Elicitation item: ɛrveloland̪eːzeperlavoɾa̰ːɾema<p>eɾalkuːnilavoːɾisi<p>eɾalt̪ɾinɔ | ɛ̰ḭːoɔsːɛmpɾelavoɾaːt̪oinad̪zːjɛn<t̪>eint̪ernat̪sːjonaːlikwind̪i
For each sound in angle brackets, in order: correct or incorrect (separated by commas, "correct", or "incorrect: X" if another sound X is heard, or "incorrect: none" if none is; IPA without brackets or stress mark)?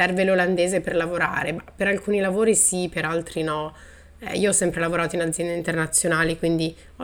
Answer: correct, correct, incorrect: d̪